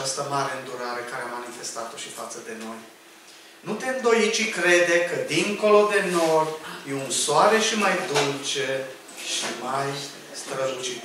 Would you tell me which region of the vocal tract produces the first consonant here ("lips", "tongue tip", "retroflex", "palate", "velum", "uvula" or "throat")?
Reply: tongue tip